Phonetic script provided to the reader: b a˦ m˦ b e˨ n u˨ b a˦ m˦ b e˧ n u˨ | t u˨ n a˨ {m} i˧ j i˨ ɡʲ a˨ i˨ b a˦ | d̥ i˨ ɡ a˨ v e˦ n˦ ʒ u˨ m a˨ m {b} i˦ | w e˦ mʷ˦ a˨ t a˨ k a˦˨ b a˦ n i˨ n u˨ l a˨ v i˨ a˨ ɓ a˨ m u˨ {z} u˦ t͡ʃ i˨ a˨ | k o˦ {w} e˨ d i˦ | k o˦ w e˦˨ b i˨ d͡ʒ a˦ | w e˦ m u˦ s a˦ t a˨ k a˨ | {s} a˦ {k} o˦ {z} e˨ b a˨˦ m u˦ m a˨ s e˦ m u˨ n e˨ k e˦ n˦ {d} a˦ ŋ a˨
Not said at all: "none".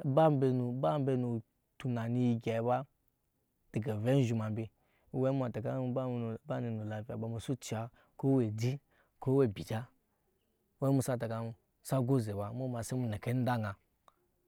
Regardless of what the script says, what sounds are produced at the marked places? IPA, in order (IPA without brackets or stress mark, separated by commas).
n, b, s, w, s, ɡ, z, d